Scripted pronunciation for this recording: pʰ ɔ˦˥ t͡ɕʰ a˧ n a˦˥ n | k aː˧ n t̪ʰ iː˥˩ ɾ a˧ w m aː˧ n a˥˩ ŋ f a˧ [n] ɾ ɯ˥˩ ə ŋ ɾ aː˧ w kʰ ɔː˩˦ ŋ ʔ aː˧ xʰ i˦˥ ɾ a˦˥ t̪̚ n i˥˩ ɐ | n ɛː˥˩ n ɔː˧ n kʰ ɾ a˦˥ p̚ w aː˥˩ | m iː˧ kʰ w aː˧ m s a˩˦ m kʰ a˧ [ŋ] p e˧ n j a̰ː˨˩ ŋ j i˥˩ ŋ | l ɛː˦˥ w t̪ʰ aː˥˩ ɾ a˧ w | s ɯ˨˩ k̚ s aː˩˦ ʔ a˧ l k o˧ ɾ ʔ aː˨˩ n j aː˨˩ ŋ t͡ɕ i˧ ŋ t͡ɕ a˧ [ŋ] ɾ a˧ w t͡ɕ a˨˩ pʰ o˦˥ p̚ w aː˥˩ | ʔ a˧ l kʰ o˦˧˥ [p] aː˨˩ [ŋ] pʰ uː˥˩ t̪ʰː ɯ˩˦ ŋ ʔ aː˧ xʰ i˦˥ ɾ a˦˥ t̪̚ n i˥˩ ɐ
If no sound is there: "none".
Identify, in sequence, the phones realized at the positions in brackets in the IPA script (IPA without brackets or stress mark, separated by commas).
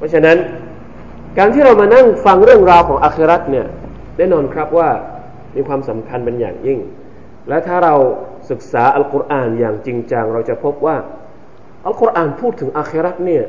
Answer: ŋ, n, ŋ, ʔ, n